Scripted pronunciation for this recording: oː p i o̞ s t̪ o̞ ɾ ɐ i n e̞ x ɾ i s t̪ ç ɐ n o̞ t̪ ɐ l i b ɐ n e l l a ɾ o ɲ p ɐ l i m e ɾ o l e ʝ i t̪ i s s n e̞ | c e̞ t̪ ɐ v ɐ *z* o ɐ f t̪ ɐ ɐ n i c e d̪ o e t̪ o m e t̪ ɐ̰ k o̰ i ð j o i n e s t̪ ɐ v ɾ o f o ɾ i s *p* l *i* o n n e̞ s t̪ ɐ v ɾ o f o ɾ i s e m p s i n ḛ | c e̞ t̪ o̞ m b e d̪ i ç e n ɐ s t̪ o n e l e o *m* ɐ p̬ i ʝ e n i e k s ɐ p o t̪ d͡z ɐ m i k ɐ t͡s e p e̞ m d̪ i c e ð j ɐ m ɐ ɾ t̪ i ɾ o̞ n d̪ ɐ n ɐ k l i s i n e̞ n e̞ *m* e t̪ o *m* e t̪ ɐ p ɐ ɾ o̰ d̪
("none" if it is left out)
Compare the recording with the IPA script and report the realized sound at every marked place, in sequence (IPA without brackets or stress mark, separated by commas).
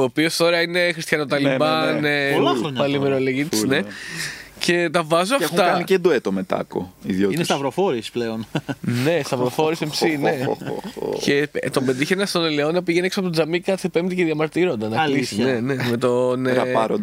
z, p, e, n, m, n